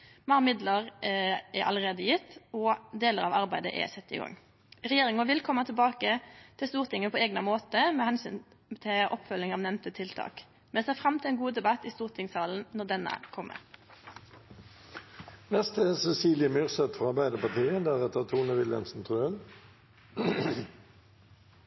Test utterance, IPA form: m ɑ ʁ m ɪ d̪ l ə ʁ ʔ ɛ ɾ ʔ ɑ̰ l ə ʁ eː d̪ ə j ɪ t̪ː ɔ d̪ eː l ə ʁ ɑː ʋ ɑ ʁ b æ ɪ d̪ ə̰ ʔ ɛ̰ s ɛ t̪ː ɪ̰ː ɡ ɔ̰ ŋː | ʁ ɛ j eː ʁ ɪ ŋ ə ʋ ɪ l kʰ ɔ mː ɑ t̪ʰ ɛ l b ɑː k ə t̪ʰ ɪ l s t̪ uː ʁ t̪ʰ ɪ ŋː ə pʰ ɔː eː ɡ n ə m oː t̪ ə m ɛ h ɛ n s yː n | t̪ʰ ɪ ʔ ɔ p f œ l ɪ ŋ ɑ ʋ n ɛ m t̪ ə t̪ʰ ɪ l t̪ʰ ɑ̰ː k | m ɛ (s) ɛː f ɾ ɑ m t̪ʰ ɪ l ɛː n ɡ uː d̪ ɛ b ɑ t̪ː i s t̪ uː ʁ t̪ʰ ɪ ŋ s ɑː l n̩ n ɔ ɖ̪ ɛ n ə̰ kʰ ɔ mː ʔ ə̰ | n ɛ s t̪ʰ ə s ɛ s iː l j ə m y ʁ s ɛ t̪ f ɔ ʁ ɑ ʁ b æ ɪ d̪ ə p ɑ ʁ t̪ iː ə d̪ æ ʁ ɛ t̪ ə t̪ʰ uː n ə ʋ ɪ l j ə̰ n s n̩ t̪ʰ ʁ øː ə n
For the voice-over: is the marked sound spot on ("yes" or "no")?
yes